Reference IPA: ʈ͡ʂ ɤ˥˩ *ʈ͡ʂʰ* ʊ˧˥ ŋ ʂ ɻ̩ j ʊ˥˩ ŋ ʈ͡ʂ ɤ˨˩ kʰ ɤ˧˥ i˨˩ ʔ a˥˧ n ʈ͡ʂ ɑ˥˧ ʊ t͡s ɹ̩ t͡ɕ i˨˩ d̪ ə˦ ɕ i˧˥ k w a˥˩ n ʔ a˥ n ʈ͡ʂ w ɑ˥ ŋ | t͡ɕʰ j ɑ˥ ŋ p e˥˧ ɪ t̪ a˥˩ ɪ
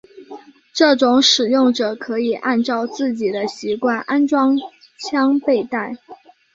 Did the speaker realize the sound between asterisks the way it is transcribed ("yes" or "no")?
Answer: no